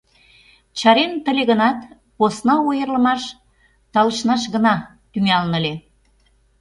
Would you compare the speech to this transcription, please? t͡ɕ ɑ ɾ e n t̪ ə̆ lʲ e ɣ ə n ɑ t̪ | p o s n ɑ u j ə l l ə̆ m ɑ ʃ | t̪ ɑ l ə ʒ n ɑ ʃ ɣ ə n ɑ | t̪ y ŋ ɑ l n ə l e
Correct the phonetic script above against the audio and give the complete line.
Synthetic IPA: t͡ɕ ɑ ɾ e n t̪ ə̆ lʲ e ɣ ə n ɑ t̪ | p o s n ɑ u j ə r l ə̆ m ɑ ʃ | t̪ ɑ l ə ʃ n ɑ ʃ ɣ ə n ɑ | t̪ y ŋ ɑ l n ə l e